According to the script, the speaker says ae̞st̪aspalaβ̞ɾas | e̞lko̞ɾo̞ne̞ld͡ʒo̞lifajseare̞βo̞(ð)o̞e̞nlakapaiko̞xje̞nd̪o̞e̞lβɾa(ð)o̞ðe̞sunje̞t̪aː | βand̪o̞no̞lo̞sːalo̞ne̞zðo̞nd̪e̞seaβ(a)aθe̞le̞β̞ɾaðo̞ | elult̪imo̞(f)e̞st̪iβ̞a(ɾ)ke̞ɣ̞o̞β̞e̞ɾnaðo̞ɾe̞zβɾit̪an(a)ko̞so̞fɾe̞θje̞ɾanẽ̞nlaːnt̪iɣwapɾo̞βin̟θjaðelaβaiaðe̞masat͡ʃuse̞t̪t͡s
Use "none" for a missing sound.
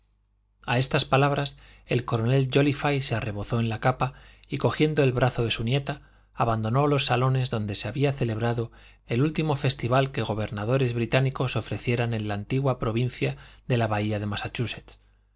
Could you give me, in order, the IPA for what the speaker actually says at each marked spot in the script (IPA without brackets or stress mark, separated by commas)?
θ, θ, i, f, l, i